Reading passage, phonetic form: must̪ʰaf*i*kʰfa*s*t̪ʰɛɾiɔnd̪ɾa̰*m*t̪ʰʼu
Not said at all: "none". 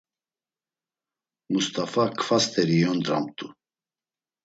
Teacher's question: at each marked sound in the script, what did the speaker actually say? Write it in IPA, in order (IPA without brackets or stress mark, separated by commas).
a, s, m